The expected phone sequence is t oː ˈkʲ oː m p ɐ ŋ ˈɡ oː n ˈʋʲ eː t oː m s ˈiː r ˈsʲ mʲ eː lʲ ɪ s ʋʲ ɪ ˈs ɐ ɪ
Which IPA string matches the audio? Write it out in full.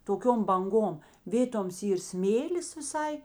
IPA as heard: t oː ˈkʲ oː m b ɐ ŋ ˈɡ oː m ˈʋʲ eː t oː m s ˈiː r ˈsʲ mʲ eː lʲ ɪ s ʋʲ ɪ ˈs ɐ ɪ